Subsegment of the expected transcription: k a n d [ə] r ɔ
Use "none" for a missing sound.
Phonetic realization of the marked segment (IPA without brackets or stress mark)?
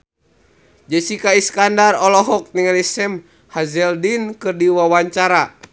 a